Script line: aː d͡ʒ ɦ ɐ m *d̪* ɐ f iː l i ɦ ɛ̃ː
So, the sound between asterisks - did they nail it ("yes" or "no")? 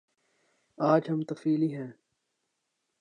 no